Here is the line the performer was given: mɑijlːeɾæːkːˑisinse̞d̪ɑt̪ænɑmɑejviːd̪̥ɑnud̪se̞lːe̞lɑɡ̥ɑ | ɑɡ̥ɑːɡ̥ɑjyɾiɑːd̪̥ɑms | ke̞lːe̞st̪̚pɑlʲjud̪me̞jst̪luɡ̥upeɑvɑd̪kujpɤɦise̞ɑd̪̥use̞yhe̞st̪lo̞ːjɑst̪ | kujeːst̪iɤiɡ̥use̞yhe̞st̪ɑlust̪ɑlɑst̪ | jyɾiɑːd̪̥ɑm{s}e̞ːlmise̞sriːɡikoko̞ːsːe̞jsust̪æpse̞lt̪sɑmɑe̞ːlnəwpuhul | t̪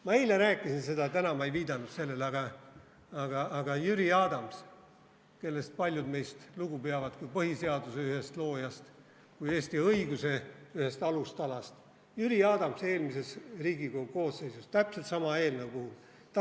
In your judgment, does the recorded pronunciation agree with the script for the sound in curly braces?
yes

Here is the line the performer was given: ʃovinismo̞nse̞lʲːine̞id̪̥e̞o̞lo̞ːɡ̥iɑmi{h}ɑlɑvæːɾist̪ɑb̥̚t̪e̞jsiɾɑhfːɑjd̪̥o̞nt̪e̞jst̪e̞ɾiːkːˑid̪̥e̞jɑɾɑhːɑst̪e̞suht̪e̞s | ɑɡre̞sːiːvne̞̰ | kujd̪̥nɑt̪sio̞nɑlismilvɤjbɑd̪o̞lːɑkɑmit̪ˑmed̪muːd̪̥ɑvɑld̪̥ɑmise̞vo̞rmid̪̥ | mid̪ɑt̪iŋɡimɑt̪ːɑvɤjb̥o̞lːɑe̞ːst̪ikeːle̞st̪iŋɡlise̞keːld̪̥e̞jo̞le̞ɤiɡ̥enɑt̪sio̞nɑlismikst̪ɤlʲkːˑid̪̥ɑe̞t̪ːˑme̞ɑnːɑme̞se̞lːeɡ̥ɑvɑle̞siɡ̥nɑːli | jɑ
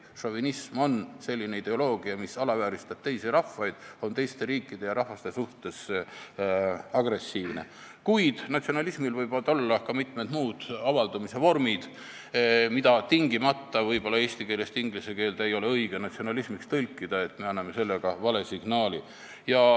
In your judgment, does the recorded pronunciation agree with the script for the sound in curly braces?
no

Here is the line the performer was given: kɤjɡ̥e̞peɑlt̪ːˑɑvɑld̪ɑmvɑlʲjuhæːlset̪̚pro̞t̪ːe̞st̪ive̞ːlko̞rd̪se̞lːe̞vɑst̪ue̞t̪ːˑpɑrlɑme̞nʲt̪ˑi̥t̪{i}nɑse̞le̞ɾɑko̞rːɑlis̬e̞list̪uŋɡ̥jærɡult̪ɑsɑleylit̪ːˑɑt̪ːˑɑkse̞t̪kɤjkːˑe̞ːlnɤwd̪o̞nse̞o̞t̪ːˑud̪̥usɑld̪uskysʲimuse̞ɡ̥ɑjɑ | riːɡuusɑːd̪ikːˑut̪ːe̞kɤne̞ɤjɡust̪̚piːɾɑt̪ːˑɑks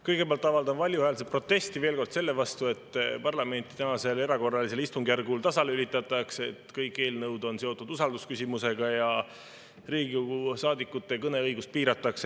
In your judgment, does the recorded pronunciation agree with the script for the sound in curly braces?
no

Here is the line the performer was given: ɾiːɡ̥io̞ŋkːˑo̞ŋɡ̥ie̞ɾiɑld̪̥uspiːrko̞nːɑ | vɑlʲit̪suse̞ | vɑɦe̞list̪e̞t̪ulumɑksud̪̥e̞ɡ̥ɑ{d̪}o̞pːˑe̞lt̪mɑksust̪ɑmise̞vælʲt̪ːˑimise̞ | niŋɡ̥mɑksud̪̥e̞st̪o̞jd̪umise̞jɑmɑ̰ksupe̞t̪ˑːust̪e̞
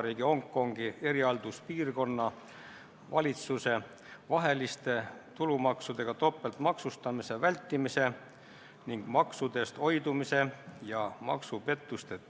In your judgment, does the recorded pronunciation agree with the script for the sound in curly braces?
no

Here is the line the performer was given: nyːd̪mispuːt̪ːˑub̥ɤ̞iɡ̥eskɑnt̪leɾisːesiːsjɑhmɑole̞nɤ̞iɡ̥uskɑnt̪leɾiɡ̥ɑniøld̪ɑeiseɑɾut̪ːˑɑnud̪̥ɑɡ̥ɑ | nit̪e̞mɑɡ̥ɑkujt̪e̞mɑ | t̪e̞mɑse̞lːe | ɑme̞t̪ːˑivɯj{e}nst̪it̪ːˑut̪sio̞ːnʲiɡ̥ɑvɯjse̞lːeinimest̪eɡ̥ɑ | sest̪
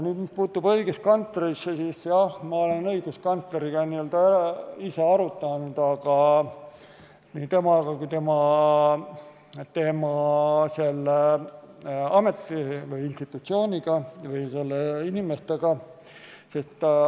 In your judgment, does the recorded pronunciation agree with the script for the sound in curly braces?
no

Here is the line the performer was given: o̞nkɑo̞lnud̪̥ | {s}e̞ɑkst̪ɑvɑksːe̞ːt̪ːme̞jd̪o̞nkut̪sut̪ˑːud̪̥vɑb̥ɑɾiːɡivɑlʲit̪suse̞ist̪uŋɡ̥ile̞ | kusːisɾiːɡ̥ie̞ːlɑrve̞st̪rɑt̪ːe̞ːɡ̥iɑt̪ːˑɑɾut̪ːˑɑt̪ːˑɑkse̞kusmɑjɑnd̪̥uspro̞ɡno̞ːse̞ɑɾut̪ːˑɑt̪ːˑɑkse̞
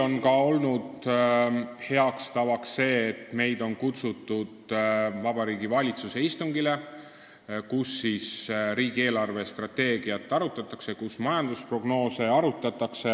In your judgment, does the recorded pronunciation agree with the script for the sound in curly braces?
no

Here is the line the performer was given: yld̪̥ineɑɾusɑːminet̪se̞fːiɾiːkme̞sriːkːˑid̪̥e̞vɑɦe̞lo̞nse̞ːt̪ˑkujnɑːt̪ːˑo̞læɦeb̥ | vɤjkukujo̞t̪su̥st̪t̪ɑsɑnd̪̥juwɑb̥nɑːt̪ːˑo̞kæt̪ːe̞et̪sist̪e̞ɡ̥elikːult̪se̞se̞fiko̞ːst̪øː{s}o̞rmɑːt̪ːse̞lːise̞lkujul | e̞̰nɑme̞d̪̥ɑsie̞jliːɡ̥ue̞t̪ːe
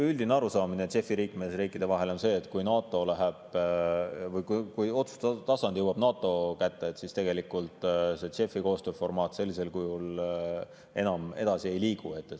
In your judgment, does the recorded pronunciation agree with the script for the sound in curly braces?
no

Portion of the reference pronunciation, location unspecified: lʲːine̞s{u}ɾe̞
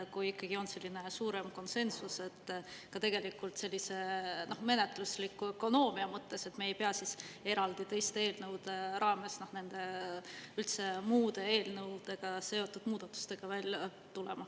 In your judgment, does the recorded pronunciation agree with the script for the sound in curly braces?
no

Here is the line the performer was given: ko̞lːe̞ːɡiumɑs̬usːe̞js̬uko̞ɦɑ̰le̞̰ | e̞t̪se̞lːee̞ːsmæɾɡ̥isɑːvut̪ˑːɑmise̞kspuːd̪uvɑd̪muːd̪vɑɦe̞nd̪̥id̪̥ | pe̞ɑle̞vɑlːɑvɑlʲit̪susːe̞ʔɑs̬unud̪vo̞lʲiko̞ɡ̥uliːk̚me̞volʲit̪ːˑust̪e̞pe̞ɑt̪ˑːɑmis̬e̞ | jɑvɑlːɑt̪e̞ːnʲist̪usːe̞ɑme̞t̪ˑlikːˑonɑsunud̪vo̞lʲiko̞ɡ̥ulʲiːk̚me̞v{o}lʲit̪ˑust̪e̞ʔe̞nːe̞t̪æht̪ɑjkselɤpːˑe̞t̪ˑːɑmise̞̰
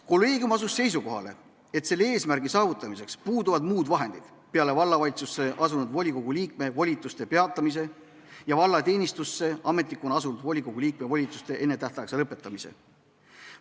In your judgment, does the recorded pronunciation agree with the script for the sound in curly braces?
yes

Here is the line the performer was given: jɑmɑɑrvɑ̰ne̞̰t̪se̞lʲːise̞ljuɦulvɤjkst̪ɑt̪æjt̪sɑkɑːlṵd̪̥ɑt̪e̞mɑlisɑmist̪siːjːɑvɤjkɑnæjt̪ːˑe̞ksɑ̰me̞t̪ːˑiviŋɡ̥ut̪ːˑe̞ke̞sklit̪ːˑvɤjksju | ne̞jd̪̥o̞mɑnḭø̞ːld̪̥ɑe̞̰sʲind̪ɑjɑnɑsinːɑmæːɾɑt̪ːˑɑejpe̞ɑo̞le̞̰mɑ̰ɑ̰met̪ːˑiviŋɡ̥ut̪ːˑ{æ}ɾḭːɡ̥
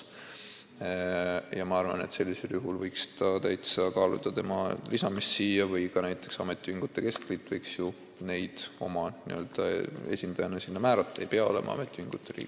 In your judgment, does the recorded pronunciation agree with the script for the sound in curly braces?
no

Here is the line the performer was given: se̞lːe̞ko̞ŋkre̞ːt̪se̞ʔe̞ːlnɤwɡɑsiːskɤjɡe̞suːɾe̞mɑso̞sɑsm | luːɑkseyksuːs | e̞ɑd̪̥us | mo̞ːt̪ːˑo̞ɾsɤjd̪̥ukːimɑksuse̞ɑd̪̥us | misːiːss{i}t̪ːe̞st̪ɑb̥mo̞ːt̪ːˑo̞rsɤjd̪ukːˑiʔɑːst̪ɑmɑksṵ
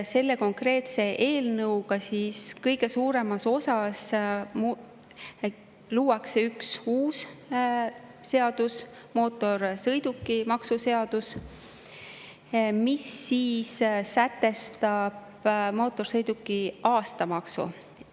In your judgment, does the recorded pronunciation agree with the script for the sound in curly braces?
no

